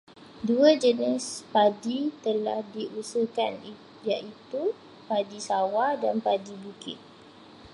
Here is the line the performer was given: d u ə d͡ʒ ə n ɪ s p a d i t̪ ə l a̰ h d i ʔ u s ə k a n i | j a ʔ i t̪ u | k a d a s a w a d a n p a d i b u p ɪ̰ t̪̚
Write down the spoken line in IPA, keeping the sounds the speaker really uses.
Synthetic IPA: d u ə d͡ʒ ə n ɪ s p a d i t̪ ə l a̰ h d i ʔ u s ə k a n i | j a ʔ i t̪ u | p a d i s a w a d a n p a d i b u k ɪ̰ t̪̚